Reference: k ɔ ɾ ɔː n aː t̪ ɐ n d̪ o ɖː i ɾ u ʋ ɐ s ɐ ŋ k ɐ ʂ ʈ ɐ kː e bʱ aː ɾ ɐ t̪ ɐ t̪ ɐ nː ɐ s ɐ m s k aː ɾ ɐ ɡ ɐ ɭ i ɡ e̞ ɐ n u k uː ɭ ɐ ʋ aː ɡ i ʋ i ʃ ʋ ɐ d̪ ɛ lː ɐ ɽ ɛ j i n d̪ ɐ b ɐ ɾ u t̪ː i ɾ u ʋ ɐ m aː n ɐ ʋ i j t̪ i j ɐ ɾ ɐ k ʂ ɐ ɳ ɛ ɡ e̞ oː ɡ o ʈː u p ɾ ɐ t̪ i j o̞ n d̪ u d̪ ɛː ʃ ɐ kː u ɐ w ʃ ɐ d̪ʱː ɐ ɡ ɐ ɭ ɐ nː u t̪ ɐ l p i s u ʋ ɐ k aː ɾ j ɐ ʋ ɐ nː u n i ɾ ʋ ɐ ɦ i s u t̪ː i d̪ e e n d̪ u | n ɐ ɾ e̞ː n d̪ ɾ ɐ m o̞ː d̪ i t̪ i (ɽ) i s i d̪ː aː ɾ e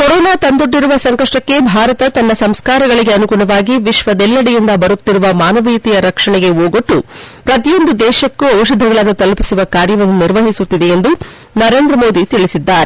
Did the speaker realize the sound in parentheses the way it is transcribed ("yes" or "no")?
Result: no